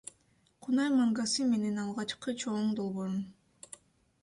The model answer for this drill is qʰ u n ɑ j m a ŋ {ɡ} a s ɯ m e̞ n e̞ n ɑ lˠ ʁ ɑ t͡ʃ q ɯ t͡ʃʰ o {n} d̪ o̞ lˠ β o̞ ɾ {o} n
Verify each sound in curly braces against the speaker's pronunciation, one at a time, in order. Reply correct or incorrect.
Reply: correct, incorrect, incorrect

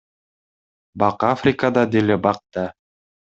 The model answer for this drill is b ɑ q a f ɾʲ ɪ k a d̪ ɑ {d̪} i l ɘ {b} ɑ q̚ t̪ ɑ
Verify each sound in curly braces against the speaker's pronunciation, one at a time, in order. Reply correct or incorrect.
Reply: correct, correct

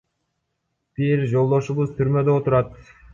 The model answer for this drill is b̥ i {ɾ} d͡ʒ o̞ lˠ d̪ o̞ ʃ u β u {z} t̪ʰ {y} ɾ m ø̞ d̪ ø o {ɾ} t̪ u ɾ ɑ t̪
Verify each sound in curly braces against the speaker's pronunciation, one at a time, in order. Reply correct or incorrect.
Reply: correct, correct, correct, incorrect

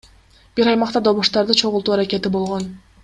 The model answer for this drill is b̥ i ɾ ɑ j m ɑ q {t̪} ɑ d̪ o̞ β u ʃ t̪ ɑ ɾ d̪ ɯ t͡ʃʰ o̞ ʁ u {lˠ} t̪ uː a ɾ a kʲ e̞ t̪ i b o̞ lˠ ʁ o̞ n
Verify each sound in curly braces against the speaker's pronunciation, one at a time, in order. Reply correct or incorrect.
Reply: correct, correct

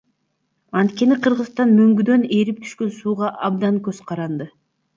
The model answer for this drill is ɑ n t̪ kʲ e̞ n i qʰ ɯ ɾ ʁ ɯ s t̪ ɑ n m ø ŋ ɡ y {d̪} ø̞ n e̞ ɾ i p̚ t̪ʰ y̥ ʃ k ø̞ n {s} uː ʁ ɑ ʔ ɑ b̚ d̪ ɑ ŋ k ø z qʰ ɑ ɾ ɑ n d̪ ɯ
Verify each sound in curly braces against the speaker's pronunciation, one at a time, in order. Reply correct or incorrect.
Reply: correct, correct

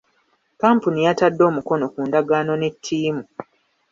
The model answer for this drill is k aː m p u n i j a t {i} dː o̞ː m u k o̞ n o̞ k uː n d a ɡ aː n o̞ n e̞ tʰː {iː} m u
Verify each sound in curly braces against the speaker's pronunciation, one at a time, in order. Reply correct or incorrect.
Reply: incorrect, correct

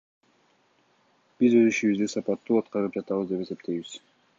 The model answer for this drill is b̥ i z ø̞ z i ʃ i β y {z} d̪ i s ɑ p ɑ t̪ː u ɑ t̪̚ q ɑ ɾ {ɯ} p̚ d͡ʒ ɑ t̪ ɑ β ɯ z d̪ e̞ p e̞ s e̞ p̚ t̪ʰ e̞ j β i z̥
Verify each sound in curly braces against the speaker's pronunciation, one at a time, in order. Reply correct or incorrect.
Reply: correct, correct

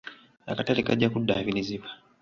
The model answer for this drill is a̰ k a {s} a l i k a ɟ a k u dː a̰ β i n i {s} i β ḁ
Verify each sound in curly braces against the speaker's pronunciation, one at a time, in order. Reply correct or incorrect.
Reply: incorrect, incorrect

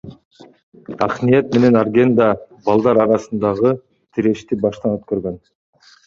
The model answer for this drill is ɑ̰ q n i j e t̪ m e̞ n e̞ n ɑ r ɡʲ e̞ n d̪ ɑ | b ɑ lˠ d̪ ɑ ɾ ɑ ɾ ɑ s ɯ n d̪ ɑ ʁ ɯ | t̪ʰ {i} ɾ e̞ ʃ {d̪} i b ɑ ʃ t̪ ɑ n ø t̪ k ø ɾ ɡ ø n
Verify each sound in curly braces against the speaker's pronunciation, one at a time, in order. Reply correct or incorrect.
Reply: correct, incorrect

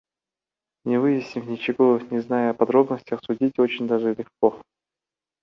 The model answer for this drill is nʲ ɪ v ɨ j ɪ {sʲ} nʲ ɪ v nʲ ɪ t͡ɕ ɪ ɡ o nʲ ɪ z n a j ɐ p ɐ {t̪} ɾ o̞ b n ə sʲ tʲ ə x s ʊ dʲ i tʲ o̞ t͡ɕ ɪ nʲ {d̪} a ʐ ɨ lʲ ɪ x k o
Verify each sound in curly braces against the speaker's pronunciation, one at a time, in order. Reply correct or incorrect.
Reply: correct, incorrect, correct

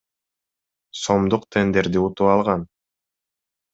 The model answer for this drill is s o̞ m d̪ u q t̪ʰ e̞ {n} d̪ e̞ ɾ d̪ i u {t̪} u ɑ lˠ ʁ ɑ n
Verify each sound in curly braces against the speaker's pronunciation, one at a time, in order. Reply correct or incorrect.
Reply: correct, correct

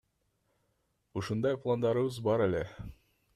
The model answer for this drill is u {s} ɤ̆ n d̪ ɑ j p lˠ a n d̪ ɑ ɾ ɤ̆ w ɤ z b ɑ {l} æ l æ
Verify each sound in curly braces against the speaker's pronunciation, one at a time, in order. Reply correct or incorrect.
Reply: incorrect, incorrect

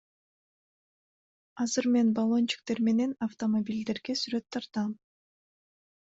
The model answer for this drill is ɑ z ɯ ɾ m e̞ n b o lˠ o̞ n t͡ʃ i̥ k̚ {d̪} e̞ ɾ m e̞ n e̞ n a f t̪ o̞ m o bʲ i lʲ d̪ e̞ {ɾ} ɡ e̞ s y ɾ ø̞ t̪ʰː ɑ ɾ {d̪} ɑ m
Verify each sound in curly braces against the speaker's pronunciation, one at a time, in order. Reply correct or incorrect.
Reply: incorrect, correct, incorrect

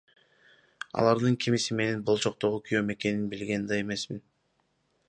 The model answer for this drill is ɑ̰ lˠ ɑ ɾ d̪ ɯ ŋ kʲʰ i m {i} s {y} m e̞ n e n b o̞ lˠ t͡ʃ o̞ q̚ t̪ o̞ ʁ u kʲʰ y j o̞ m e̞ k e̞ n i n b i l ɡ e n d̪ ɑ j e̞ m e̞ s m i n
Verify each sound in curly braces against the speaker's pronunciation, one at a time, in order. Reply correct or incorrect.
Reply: correct, incorrect

